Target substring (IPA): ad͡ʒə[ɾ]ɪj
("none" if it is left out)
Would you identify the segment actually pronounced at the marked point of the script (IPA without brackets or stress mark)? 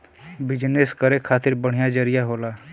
ɾ